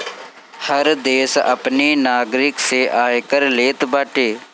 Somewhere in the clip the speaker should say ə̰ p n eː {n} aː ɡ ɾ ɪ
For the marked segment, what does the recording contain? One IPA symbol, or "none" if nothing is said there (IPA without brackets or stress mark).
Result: n